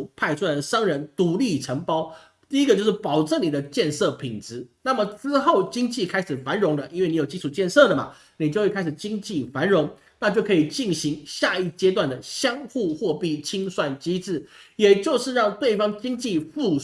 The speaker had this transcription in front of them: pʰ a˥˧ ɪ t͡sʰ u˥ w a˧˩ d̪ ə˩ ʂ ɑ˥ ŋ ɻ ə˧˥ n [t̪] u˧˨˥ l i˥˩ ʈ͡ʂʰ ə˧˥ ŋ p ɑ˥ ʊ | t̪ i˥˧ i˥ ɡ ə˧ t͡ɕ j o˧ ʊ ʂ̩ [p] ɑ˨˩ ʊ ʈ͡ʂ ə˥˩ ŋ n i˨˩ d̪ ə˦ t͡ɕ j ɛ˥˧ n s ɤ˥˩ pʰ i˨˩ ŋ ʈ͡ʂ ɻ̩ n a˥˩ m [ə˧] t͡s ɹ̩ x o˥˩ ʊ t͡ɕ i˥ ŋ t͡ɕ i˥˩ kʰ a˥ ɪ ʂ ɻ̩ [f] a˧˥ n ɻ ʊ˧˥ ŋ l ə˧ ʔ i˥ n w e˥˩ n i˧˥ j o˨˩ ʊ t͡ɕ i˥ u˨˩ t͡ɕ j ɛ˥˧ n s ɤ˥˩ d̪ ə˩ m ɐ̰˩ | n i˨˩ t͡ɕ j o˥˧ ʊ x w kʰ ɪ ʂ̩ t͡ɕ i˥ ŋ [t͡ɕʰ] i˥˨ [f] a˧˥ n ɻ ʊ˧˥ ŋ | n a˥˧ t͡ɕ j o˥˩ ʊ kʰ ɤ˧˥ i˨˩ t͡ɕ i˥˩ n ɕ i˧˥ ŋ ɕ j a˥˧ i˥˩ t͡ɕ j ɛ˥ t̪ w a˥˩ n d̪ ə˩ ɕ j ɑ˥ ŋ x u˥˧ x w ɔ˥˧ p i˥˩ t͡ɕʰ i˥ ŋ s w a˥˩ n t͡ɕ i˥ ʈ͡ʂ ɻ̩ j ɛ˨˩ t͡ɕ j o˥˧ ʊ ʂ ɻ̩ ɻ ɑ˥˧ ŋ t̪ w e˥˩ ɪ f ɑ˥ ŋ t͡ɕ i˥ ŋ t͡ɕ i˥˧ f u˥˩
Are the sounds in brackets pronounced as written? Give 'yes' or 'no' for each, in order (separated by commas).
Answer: yes, yes, no, yes, no, yes